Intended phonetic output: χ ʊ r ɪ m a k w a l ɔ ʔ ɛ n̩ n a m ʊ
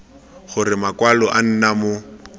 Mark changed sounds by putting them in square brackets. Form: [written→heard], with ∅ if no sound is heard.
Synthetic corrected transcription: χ ʊ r ɪ m a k w a l ɔ ʔ [ɛ→a] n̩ n a m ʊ